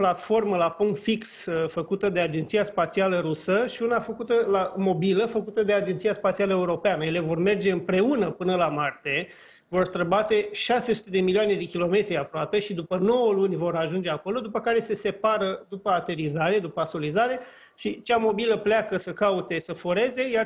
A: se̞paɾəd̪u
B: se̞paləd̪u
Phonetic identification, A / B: A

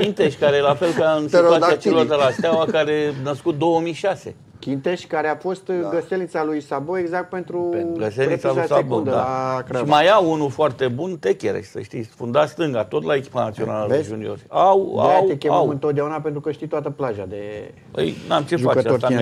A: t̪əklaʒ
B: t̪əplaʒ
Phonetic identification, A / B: B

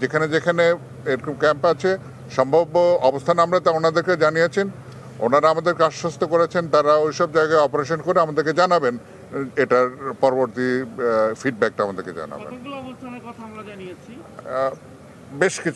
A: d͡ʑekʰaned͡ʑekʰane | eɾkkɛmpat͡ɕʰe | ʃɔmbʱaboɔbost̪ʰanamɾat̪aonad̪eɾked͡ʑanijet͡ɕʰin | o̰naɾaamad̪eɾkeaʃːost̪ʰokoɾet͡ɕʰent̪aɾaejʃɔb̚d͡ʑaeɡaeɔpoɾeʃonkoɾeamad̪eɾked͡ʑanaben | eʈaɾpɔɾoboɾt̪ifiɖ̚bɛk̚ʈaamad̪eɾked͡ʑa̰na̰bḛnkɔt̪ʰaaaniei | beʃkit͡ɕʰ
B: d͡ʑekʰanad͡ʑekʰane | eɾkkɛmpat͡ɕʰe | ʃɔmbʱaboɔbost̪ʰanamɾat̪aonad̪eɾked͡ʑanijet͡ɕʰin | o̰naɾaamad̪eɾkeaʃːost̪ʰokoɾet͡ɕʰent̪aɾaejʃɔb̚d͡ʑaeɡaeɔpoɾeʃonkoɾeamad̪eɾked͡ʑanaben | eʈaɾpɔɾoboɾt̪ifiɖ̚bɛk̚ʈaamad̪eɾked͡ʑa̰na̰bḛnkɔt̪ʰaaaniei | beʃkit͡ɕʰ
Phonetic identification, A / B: A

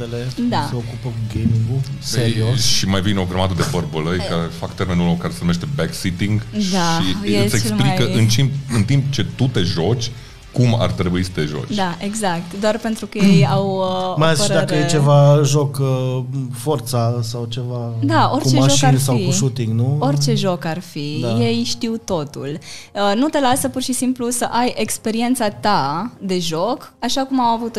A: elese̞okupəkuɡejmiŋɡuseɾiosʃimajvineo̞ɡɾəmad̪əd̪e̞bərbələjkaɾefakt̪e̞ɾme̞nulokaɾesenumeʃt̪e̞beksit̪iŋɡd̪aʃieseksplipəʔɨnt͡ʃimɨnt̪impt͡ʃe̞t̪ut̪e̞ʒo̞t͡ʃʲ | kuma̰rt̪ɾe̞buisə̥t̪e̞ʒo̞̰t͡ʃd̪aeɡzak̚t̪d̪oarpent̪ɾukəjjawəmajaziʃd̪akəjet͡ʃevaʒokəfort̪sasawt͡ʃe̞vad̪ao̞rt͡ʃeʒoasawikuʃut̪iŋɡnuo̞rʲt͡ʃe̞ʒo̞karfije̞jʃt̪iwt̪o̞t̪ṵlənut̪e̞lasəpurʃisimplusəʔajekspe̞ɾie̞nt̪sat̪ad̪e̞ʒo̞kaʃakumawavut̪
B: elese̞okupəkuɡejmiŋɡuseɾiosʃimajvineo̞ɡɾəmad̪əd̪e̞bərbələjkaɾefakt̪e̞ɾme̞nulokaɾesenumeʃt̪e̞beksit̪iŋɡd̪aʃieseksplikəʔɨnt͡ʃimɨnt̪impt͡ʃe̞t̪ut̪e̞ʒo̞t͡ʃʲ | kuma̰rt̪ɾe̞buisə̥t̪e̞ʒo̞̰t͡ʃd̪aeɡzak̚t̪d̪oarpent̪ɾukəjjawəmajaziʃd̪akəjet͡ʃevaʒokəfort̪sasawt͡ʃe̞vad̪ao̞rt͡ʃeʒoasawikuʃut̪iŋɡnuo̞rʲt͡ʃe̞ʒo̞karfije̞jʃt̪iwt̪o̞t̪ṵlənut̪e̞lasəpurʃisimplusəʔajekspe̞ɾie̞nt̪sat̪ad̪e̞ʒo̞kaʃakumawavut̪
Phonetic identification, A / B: B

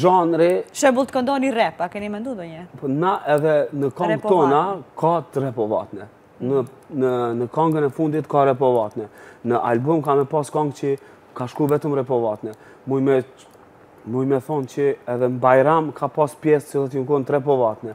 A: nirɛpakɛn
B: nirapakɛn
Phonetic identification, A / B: A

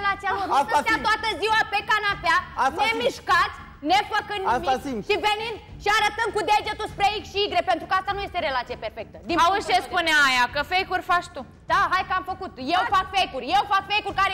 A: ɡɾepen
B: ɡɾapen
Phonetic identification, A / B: A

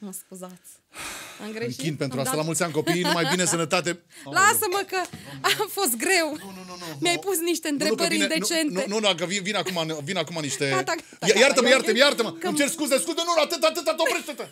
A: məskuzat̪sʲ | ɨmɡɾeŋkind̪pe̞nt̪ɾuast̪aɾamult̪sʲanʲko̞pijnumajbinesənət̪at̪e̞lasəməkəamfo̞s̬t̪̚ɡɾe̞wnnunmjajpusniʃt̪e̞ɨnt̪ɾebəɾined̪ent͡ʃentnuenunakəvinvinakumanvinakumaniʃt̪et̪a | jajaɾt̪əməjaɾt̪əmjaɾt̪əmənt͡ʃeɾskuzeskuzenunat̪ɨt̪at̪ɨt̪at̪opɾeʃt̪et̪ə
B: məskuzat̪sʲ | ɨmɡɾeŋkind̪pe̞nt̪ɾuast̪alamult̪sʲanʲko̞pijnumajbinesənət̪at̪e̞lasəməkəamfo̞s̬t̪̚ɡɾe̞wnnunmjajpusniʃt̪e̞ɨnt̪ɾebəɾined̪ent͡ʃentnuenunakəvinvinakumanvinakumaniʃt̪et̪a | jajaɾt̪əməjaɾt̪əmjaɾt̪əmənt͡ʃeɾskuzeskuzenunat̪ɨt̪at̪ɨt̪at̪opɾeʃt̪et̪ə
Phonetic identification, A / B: B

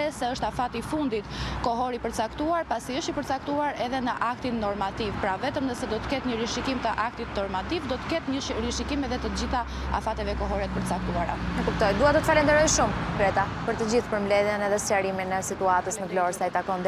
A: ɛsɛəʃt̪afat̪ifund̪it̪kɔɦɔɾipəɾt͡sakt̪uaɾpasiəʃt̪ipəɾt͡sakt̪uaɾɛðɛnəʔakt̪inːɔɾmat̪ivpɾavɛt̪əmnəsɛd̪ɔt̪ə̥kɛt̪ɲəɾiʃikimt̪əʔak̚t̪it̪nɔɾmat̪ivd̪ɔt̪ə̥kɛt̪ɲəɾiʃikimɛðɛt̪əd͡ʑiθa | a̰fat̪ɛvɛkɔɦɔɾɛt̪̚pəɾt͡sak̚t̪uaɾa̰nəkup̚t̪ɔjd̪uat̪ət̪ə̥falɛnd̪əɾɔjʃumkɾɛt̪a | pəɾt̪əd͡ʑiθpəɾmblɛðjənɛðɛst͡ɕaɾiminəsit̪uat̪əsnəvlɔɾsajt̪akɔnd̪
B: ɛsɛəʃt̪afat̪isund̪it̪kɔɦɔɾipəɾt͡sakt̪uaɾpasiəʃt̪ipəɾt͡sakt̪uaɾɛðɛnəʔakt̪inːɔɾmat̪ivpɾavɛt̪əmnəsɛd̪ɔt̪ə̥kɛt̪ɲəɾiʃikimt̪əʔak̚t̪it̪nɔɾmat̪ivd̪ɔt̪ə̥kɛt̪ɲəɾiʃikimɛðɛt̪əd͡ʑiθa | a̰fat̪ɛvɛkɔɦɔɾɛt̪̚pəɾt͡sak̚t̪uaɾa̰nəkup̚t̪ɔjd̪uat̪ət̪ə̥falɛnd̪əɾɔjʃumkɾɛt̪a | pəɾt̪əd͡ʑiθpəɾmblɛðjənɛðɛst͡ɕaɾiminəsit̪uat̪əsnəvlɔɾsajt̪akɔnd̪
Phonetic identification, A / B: A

